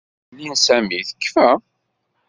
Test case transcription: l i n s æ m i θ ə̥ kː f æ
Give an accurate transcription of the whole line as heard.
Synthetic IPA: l i n s æ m i θ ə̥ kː f æ